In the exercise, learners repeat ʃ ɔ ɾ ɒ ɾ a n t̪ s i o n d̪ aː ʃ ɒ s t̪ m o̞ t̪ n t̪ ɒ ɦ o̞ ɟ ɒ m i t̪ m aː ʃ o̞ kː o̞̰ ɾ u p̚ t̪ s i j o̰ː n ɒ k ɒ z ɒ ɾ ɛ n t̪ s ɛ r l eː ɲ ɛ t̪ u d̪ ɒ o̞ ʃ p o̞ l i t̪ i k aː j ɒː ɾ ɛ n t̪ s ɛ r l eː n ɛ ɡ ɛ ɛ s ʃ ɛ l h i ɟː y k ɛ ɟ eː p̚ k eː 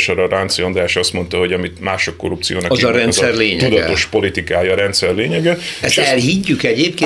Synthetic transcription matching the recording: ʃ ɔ ɾ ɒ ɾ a n t̪ s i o n d̪ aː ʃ ɒ s t̪ m o̞ n t̪ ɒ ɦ o̞ ɟ ɒ m i t̪ m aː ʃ o̞ kː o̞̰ ɾ u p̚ t̪ s i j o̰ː n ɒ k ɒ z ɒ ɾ ɛ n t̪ s ɛ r l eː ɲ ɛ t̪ u d̪ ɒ o̞ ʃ p o̞ l i t̪ i k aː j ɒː ɾ ɛ n t̪ s ɛ r l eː ɲ ɛ ɡ ɛ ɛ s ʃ ɛ l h i ɟː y k ɛ ɟ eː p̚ k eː